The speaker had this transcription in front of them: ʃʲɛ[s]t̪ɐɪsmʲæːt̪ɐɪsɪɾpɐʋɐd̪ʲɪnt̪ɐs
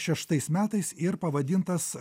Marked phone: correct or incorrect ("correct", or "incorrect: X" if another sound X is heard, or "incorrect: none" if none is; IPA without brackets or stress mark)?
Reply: incorrect: ʃ